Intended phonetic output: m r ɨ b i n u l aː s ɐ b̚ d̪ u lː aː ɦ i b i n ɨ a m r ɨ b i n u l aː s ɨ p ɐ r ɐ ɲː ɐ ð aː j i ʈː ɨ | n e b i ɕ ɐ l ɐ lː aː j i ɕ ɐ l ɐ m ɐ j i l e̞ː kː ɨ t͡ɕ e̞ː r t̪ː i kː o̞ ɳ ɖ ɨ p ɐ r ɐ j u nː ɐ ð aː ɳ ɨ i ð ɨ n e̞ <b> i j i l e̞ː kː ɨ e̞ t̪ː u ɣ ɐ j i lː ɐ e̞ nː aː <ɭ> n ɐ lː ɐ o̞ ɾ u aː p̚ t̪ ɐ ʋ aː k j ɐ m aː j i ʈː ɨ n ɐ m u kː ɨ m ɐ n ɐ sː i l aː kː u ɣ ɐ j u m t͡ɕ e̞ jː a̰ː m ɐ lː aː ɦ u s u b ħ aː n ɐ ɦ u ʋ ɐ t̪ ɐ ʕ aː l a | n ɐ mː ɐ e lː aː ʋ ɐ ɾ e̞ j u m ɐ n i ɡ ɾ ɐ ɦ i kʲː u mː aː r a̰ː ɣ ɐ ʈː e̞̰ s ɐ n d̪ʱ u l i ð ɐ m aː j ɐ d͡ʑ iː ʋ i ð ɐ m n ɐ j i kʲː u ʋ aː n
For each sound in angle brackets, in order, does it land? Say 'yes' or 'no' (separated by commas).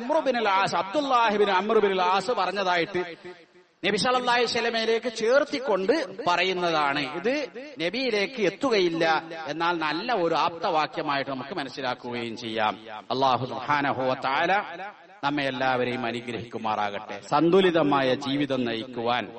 yes, no